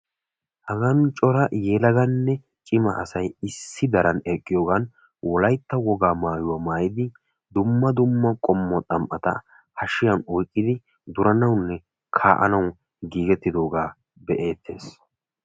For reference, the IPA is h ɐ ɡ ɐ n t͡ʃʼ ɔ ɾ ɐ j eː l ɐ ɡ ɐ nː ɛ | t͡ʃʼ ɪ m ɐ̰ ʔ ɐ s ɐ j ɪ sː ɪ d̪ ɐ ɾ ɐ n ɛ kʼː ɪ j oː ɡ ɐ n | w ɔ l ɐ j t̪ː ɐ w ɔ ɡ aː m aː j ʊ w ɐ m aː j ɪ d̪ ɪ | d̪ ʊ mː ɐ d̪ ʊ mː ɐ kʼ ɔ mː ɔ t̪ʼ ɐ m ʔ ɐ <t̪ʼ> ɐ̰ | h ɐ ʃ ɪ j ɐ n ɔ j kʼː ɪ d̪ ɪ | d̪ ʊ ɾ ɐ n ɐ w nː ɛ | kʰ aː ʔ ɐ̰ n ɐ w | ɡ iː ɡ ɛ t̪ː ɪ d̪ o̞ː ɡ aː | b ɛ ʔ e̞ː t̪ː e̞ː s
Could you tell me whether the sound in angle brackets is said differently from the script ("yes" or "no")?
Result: yes